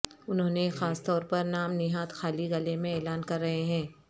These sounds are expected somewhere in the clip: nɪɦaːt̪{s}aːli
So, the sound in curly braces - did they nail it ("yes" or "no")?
no